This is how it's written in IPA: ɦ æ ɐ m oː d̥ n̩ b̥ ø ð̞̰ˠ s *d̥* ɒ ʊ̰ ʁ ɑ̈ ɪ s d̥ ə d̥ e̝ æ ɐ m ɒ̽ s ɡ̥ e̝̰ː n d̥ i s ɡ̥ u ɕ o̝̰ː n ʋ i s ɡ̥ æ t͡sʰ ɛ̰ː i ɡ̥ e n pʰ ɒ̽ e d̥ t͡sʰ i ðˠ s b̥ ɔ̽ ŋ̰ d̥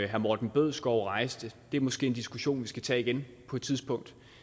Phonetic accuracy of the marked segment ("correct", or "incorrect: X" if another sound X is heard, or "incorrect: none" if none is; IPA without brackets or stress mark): incorrect: ɡ̥